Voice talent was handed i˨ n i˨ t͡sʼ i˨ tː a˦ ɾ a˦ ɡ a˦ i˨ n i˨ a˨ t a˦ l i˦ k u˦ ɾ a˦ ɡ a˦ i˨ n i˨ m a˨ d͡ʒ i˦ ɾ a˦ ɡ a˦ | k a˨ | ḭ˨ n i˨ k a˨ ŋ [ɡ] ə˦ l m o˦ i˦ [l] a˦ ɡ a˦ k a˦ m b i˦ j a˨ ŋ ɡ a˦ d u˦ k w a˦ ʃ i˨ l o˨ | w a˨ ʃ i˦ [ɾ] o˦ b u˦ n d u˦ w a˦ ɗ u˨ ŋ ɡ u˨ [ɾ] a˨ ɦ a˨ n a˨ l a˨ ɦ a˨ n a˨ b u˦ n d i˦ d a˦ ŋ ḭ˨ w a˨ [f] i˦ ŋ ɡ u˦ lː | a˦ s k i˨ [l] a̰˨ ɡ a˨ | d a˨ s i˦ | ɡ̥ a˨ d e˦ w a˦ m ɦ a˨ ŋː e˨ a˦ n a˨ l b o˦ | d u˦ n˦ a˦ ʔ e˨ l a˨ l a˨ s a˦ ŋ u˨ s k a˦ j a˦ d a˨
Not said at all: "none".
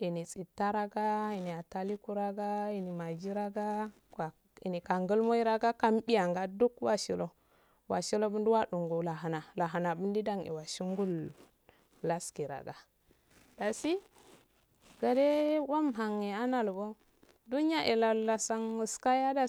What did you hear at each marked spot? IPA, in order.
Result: ɡ, ɾ, l, l, ʃ, ɾ

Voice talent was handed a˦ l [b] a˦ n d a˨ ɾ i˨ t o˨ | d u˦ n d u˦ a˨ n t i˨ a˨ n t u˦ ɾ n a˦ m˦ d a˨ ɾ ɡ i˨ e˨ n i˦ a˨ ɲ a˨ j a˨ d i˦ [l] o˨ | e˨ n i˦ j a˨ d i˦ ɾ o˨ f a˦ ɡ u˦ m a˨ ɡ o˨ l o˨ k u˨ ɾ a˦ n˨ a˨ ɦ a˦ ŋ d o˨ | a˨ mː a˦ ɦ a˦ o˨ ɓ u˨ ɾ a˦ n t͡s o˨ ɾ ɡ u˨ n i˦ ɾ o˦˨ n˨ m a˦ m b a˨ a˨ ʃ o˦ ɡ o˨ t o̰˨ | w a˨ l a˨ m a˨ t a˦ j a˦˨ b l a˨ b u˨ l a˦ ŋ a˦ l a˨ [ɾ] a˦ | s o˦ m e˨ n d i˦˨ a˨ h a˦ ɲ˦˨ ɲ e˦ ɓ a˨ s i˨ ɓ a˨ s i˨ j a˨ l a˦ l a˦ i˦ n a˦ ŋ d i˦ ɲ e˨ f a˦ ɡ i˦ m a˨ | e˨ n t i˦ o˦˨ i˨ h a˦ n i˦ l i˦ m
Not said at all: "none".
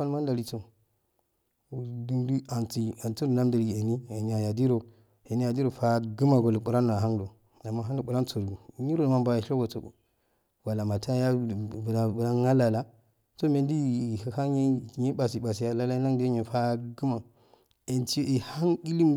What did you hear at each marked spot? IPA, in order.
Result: m, ɾ, l

